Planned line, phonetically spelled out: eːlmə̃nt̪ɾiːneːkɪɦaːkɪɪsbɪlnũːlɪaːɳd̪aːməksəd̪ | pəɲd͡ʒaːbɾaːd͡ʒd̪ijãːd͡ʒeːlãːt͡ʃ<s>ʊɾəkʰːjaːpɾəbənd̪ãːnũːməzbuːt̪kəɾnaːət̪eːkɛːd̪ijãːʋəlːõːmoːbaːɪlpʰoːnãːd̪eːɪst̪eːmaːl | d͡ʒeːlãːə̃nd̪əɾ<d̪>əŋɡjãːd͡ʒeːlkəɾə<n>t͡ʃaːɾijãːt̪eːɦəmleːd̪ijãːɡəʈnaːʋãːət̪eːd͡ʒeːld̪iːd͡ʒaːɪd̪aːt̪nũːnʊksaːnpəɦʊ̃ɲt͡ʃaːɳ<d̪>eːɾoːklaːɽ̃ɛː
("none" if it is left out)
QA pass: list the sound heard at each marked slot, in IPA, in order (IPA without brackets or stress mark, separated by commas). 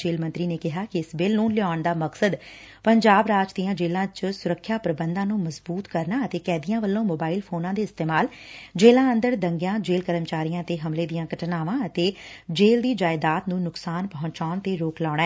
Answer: s, d̪, m, t̪